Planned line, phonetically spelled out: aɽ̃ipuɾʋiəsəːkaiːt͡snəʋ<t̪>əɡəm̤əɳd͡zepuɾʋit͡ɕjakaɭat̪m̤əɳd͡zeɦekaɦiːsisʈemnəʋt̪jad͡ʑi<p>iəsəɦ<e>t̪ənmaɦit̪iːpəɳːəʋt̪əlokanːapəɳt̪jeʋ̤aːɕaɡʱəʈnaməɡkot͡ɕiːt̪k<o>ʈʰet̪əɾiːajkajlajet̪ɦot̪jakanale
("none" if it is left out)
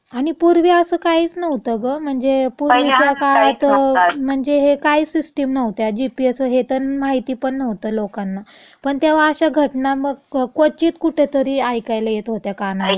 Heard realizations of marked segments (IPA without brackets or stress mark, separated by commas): t̪, p, e, u